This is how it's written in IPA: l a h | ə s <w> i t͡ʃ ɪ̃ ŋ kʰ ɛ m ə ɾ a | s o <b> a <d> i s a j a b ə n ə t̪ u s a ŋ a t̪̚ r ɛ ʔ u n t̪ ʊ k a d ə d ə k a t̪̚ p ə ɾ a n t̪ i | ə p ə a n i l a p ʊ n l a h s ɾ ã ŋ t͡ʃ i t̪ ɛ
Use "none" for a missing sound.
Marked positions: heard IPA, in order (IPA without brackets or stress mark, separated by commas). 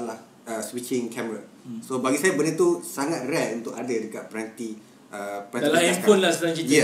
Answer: w, b, ɡ